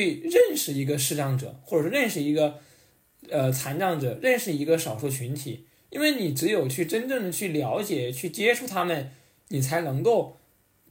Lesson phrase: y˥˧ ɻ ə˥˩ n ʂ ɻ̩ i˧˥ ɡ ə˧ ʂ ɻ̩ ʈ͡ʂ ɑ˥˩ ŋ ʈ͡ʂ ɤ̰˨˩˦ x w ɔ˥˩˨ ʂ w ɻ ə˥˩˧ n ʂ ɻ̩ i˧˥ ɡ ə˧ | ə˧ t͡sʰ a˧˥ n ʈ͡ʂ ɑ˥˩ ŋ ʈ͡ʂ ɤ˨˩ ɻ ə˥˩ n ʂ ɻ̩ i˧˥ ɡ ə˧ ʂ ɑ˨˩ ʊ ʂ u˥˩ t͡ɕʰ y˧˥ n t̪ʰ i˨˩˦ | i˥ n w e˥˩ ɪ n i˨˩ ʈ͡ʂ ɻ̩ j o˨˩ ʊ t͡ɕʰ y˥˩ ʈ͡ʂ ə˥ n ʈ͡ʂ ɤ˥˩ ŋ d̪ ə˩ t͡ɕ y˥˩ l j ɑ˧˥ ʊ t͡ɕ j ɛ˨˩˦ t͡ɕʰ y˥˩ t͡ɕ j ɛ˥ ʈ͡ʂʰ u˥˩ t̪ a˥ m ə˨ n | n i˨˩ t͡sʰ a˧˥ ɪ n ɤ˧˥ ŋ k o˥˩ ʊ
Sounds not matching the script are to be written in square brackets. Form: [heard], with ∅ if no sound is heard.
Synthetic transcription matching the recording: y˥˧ ɻ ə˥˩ n ʂ ɻ̩ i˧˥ ɡ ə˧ ʂ ɻ̩ ʈ͡ʂ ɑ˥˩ ŋ ʈ͡ʂ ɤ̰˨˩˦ x w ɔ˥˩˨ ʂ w ɻ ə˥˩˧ n ʂ ɻ̩ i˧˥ ɡ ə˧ | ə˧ t͡sʰ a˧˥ n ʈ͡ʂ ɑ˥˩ ŋ ʈ͡ʂ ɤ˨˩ ɻ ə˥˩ n ʂ ɻ̩ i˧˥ ɡ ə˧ ʂ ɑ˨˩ ʊ ʂ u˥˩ t͡ɕʰ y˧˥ n t̪ʰ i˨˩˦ | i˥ n w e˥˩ ɪ n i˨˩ ʈ͡ʂ ɻ̩ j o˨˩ ʊ t͡ɕʰ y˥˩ ʈ͡ʂ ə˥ n ʈ͡ʂ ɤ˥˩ ŋ d̪ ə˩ [t͡ɕʰ] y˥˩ l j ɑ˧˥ ʊ t͡ɕ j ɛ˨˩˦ t͡ɕʰ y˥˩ t͡ɕ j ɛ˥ ʈ͡ʂʰ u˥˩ [t̪ʰ] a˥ m ə˨ n | n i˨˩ t͡sʰ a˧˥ ɪ n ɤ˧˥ ŋ k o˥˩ ʊ